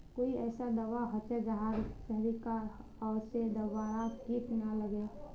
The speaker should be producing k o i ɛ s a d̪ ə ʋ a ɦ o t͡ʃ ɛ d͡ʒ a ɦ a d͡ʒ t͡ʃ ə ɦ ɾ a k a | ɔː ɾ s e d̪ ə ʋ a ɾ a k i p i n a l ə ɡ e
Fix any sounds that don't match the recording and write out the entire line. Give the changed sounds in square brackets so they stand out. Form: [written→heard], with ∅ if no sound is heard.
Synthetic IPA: k o i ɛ s a d̪ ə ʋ a ɦ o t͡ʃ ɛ d͡ʒ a ɦ a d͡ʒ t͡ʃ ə ɦ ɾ [a→i] k a | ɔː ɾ s e d̪ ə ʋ a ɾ a k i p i n a l ə ɡ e